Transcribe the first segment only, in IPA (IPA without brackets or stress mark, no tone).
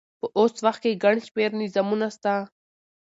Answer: p